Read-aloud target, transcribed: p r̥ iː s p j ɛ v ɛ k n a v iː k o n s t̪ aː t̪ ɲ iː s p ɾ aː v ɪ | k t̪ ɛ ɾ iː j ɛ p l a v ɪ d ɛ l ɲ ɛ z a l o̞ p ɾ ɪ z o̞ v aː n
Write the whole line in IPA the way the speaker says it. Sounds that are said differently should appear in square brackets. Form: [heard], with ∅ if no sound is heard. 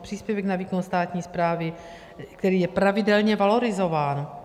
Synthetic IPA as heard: p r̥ iː s p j ɛ v ɛ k n a v iː k o n s t̪ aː t̪ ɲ iː s p ɾ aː v ɪ | k t̪ ɛ ɾ iː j ɛ p [ɾ] a v ɪ d ɛ l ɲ ɛ [v] a l o̞ [∅] ɾ ɪ z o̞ v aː n